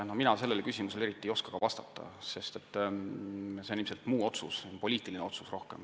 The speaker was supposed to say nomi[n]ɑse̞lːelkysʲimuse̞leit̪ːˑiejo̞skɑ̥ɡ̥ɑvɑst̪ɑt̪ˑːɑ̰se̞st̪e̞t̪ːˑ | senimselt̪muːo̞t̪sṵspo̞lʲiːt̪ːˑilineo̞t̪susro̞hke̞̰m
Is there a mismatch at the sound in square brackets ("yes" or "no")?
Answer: no